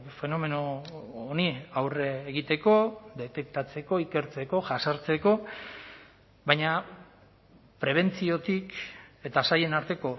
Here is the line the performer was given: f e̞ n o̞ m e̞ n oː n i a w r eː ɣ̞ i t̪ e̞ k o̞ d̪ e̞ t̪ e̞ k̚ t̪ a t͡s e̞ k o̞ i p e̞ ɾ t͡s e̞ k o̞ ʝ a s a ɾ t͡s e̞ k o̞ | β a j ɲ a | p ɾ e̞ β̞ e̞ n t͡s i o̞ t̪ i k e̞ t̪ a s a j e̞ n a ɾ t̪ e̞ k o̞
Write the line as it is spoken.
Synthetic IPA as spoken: f e̞ n o̞ m e̞ n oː n i a w r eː ɣ̞ i t̪ e̞ k o̞ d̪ e̞ t̪ e̞ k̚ t̪ a t͡s e̞ k o̞ i k e̞ ɾ t͡s e̞ k o̞ ʝ a s a ɾ t͡s e̞ k o̞ | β a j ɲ a | p ɾ e̞ β̞ e̞ n t͡s i o̞ t̪ i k e̞ t̪ a s a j e̞ n a ɾ t̪ e̞ k o̞